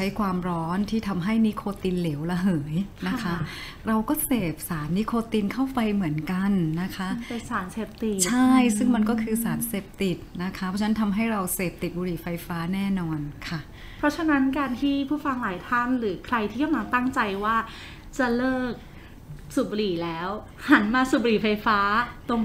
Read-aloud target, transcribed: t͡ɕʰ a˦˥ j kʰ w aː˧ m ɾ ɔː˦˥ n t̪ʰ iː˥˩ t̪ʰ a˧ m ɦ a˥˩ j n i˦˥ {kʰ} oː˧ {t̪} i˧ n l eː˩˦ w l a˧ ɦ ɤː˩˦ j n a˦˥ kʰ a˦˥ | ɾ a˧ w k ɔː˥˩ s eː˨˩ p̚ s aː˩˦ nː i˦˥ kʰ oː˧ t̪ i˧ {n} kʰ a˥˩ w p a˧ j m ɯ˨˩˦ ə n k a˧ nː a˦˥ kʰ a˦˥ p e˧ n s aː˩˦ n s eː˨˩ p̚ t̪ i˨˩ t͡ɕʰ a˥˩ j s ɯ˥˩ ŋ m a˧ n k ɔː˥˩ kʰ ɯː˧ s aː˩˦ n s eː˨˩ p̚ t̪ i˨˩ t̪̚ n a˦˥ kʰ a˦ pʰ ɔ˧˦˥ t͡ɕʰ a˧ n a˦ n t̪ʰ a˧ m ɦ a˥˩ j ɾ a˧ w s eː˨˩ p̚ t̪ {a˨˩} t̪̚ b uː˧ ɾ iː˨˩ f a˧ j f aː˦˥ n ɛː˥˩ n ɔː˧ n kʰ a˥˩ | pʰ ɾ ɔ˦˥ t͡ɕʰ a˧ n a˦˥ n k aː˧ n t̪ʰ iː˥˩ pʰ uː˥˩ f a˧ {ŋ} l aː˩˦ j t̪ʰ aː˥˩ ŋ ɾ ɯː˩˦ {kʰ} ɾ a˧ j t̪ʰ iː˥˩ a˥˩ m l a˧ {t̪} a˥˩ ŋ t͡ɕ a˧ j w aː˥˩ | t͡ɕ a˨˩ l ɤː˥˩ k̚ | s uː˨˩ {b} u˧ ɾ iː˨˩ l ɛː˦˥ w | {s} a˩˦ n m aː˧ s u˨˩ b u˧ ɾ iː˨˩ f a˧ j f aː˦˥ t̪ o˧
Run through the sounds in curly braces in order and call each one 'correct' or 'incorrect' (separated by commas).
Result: correct, correct, correct, incorrect, correct, correct, correct, correct, incorrect